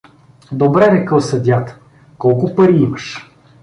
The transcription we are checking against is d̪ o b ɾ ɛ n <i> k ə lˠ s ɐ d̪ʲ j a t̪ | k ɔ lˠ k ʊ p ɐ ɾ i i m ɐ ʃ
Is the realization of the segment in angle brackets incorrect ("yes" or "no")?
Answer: yes